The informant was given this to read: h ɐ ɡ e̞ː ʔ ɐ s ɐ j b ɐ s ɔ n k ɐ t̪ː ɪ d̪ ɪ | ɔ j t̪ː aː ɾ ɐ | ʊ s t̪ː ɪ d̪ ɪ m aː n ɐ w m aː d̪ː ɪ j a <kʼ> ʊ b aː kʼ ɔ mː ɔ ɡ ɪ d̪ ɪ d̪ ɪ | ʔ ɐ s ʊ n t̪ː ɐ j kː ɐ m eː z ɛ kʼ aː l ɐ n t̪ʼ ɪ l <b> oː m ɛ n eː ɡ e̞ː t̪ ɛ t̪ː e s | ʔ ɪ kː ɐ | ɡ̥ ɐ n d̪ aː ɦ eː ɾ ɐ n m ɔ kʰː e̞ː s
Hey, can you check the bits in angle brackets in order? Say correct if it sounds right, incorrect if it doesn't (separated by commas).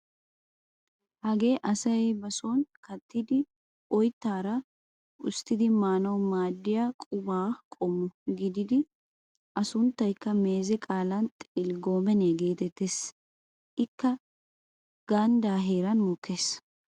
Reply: correct, incorrect